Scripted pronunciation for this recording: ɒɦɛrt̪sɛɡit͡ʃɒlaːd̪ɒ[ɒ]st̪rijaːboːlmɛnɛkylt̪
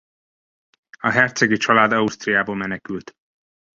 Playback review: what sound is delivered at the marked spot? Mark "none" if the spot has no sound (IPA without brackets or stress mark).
u